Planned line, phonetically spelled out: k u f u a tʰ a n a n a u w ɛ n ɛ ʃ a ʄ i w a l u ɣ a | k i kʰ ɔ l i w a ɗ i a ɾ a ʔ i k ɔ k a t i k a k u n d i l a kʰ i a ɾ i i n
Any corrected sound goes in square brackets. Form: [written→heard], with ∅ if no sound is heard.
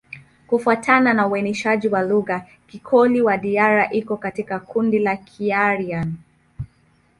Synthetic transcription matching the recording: k u f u a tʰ a n a n a u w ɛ n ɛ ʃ a ʄ i w a l u ɣ a | k i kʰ ɔ l i w a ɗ i a ɾ a ʔ i k ɔ k a t i k a k u n d i l a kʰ i a ɾ i [i→a] n